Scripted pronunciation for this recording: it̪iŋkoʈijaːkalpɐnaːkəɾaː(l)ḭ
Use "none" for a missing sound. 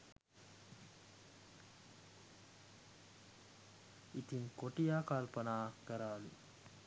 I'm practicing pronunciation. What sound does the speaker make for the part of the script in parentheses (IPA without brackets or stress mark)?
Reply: l